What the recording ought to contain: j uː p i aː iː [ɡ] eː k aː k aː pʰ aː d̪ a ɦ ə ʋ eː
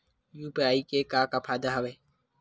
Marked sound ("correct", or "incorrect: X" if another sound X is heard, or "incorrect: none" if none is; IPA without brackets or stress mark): incorrect: k